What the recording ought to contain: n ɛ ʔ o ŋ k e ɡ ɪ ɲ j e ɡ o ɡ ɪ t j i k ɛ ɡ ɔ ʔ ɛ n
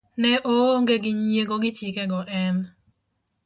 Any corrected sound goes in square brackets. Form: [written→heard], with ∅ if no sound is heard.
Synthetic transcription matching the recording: n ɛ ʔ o ŋ [k→ɡ] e ɡ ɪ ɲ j e ɡ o ɡ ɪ t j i k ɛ ɡ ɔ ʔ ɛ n